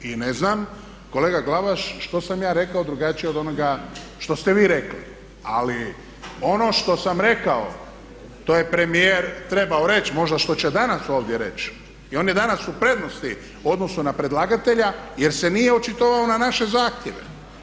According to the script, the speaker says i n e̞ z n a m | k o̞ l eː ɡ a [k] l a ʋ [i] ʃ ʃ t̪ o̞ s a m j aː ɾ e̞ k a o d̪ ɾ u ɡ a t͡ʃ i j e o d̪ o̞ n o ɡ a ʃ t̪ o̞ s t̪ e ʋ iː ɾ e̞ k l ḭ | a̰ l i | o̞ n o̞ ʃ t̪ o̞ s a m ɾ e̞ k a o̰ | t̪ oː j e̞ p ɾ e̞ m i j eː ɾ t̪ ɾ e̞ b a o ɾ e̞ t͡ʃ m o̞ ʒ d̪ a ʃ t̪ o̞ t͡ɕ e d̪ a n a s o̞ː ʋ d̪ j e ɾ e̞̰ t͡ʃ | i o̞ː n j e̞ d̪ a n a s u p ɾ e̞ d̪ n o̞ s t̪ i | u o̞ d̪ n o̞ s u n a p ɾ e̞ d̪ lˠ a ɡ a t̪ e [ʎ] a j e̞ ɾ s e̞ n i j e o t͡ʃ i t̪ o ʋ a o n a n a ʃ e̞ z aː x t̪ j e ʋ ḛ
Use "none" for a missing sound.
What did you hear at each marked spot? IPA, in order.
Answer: ɡ, a, ʎ

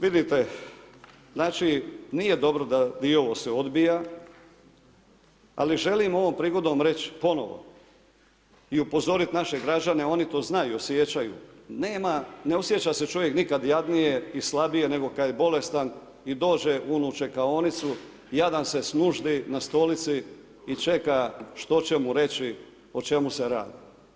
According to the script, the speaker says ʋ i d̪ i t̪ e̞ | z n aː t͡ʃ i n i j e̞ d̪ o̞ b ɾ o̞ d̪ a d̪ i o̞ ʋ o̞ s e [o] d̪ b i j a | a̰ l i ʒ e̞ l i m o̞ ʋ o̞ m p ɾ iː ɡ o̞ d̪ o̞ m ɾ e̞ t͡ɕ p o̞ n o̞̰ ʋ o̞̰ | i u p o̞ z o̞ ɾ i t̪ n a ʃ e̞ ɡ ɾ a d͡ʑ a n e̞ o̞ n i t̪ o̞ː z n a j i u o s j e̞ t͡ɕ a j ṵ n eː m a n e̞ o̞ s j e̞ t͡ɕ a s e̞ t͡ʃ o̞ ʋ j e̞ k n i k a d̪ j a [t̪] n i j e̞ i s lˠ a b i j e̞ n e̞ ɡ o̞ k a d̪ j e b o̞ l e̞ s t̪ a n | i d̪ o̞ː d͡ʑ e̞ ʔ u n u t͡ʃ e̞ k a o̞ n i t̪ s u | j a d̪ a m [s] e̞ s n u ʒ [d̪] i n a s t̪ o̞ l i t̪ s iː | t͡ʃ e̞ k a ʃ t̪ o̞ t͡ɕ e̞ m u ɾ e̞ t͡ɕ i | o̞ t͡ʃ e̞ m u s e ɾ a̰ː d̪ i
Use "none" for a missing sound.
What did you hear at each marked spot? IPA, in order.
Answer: o, d̪, s, d̪

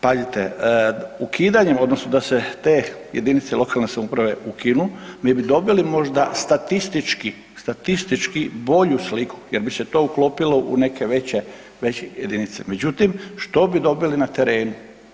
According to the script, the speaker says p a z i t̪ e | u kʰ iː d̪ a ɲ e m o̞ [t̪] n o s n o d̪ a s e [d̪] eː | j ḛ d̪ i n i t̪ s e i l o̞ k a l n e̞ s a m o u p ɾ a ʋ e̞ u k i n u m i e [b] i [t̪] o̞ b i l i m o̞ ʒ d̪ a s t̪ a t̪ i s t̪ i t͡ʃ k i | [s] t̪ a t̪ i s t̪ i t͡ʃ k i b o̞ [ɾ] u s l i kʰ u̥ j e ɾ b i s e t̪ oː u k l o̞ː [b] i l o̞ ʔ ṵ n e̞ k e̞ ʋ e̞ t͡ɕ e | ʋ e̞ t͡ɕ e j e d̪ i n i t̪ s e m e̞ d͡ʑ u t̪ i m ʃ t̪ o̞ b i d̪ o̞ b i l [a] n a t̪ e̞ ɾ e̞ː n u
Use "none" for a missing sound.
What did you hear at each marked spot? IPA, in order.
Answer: d̪, t̪, b, d̪, s, ʎ, p, i

